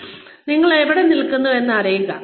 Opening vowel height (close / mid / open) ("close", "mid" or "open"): close